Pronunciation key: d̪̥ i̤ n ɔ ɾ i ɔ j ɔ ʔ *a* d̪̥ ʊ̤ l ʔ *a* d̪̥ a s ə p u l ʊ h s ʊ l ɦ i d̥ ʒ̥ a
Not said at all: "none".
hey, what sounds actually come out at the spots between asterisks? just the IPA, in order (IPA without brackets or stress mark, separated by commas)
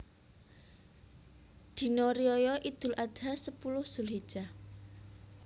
i, a